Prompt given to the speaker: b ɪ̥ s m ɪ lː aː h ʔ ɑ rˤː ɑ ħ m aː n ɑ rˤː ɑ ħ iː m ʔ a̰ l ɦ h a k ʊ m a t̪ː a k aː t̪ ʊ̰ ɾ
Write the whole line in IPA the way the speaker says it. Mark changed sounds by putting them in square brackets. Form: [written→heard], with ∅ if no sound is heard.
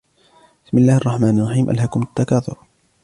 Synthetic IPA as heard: b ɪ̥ s m ɪ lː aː h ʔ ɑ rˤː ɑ ħ m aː n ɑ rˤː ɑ ħ iː m ʔ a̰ l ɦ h a k ʊ m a t̪ː a k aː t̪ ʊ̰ ɾ